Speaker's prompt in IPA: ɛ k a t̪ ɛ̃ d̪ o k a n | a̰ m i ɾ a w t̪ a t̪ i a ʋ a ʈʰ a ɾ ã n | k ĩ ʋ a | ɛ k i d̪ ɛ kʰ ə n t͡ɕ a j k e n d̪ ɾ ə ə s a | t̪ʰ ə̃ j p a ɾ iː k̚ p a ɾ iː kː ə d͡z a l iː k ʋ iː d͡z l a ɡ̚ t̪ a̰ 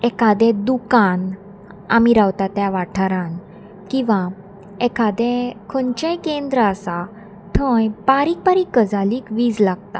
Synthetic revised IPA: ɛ k a d̪ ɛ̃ d̪ u k a n | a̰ m i ɾ a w t̪ a t̪ j a ʋ a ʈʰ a ɾ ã n | k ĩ ʋ a | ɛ k a d̪ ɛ kʰ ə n t͡ɕ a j k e n d̪ ɾ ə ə s a | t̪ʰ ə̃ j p a ɾ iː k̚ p a ɾ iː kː ə d͡z a l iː k ʋ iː d͡z l a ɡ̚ t̪ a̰

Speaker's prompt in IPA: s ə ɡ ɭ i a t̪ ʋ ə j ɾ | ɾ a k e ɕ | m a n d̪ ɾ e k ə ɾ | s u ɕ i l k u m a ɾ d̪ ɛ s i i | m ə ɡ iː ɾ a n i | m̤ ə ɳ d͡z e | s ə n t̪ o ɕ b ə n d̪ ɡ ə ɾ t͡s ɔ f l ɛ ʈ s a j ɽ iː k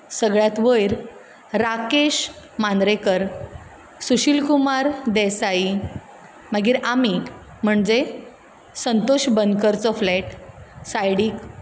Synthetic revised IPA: s ə ɡ ɭ j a t̪ ʋ ə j ɾ | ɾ a k e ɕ | m a n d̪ ɾ e k ə ɾ | s u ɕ i l k u m a ɾ d̪ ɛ s a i | m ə ɡ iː ɾ a m i | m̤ ə ɳ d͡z e | s ə n t̪ o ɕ b ə n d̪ k ə ɾ t͡s ɔ f l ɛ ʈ s a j ɽ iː k

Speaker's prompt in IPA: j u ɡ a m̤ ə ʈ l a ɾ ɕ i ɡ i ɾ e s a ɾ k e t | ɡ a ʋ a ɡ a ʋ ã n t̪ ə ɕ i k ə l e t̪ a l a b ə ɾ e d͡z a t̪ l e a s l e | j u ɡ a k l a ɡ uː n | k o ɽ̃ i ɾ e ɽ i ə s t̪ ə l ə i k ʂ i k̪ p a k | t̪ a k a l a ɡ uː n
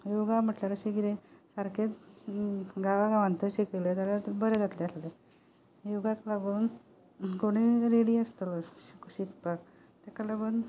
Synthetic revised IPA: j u ɡ a m̤ ə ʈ l a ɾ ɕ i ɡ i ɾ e s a ɾ k e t | ɡ a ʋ a ɡ a ʋ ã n t̪ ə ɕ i k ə l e t̪ a l a b ə ɾ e d͡z a t̪ l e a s l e | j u ɡ a k l a ɡ uː n | k o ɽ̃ i ɾ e ɽ i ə s t̪ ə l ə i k ɕ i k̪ p a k | t̪ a k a l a ɡ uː n

